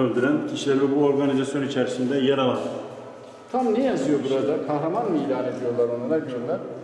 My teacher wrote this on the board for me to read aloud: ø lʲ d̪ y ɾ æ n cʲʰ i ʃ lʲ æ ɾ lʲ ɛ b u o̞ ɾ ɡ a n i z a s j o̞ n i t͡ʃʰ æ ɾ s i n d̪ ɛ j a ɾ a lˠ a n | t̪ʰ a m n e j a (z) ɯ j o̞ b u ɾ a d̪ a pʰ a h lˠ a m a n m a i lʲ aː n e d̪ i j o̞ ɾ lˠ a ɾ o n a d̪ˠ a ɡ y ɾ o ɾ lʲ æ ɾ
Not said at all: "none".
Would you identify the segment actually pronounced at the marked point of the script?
z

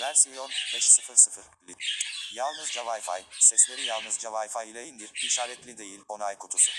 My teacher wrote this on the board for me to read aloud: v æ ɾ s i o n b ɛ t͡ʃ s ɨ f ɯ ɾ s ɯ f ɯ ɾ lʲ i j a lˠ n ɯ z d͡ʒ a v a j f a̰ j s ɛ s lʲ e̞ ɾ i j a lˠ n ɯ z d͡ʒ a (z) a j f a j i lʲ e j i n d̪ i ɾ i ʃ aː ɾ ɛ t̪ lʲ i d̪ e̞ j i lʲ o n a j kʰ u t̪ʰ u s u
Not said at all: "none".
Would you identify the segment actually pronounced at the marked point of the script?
v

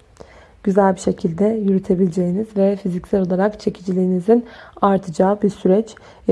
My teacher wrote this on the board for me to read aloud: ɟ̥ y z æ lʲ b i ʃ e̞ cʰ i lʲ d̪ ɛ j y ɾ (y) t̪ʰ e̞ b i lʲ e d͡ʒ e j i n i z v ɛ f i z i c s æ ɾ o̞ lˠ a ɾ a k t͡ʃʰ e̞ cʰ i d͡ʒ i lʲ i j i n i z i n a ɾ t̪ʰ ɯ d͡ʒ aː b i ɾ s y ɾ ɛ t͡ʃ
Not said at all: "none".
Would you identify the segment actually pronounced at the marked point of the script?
y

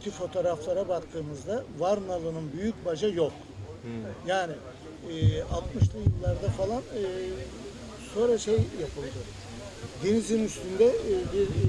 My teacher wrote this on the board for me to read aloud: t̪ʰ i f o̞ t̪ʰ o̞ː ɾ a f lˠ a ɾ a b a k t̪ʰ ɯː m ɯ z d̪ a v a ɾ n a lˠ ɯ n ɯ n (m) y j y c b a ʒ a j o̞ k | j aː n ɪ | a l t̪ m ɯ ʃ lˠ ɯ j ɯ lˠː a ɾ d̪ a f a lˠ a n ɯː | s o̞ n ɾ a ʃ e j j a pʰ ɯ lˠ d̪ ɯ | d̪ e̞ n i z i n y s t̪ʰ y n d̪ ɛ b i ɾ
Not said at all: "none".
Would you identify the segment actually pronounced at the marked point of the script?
b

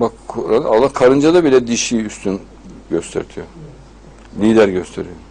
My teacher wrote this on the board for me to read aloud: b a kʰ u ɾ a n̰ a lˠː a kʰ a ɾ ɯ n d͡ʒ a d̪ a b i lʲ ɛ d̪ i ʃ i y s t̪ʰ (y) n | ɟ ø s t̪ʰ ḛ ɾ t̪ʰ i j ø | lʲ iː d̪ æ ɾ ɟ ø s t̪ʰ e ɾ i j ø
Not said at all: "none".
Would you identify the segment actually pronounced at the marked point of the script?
y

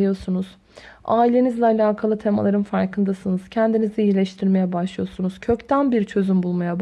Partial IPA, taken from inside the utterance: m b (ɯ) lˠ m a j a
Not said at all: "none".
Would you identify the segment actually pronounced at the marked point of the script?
u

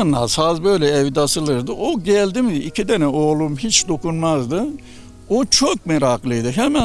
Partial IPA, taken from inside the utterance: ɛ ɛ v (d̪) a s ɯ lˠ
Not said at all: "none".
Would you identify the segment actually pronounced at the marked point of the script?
d̪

